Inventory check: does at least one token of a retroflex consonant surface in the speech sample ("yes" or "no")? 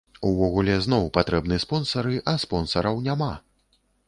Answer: no